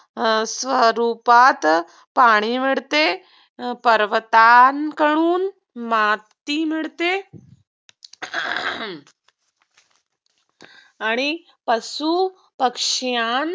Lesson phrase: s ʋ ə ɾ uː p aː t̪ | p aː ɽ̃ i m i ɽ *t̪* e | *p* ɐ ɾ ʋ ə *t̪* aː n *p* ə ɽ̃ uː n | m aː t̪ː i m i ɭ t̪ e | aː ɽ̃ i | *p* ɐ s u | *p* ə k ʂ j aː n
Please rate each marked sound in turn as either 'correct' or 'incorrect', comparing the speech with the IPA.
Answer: correct, correct, correct, incorrect, correct, correct

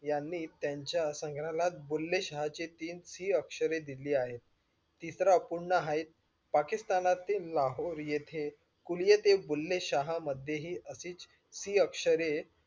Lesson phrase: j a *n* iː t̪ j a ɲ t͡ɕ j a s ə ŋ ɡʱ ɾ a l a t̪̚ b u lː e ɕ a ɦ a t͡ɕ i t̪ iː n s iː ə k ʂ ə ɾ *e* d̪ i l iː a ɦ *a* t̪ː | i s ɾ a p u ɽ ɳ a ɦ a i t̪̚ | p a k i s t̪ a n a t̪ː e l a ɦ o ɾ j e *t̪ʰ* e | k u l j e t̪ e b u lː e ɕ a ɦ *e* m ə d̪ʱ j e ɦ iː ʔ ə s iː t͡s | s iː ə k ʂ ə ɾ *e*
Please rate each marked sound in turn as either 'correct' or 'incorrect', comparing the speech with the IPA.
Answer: incorrect, correct, incorrect, correct, incorrect, correct

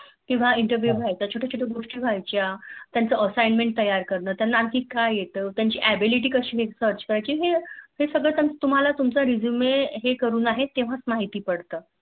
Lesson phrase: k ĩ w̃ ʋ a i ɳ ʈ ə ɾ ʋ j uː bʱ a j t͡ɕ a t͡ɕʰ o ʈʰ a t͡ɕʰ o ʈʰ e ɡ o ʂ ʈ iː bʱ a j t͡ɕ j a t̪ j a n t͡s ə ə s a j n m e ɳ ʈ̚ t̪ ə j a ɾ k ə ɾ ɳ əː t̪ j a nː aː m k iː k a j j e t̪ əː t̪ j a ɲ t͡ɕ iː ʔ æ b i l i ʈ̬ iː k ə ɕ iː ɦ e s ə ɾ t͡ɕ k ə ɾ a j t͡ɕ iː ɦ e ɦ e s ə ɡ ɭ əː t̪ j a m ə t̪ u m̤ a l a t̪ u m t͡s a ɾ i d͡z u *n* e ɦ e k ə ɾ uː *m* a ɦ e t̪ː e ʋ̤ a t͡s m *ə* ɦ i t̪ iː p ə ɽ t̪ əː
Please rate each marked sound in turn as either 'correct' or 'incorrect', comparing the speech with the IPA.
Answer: incorrect, incorrect, incorrect

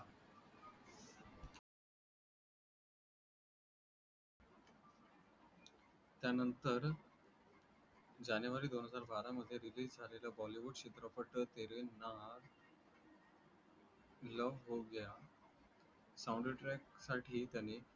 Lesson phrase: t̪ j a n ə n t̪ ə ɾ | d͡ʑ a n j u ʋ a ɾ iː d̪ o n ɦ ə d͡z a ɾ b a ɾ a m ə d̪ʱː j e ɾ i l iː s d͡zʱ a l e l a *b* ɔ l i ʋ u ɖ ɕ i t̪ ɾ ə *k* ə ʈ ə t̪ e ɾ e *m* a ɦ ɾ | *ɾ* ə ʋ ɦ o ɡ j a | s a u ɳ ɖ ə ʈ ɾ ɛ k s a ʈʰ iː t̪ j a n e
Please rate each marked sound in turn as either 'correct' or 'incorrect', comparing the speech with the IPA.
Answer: correct, incorrect, incorrect, incorrect

